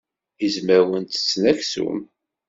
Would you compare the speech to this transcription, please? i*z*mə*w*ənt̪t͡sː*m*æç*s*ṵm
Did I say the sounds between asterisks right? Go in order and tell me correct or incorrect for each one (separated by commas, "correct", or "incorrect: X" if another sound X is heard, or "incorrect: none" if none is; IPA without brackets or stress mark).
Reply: correct, correct, incorrect: n, correct